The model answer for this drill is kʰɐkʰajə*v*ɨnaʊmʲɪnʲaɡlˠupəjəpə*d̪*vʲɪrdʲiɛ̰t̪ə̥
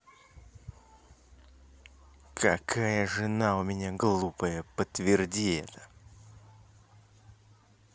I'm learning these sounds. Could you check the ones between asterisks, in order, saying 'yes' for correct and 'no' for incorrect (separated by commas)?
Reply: no, no